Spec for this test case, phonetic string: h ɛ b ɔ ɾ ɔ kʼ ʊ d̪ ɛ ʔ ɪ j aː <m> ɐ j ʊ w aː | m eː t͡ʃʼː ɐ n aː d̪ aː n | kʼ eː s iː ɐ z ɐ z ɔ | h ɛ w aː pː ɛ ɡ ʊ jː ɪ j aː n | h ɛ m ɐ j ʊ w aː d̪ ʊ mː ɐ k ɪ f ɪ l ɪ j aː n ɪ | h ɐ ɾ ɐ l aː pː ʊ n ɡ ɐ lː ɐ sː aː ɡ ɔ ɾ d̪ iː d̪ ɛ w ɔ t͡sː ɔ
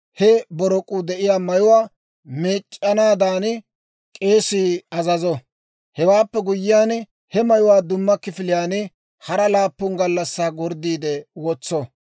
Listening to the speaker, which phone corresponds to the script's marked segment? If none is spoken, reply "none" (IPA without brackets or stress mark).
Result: m